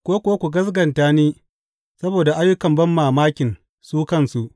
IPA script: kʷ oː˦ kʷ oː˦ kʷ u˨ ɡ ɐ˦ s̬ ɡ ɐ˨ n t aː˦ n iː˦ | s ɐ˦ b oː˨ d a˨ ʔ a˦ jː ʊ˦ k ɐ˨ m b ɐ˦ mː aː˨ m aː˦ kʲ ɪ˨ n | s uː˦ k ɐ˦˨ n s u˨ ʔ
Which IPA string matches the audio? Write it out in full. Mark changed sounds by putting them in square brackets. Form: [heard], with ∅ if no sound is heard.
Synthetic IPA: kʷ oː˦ kʷ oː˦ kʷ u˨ ɡ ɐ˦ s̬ ɡ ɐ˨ n t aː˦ n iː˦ | s ɐ˦ b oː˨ d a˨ ʔ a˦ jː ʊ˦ k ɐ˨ m b ɐ˦ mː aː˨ m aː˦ kʲ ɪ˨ n | s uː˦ k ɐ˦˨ n s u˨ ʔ